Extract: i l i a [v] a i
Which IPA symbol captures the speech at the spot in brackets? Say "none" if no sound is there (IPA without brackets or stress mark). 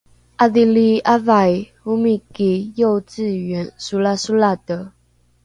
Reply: v